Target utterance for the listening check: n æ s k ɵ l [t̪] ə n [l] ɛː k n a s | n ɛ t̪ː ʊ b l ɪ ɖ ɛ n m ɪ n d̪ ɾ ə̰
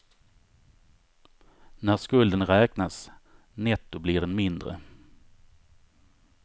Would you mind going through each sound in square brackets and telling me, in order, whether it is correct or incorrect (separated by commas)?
incorrect, incorrect